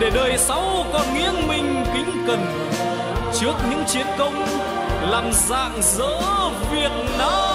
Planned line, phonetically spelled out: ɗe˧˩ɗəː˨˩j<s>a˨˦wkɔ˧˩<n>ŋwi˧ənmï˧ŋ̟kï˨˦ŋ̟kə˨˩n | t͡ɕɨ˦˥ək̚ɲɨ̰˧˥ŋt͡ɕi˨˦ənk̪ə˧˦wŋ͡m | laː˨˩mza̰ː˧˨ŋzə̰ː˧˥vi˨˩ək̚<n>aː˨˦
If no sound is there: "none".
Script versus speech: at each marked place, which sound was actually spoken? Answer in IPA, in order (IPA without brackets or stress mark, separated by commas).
s, n, n